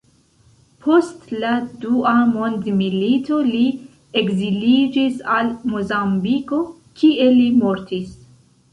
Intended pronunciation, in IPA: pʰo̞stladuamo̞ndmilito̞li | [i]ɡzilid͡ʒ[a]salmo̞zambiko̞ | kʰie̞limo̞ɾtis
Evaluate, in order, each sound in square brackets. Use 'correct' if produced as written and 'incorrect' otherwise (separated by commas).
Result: incorrect, incorrect